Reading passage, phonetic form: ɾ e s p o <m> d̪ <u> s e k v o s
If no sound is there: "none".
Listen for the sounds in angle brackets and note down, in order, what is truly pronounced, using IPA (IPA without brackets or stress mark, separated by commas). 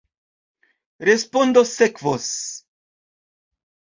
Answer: n, o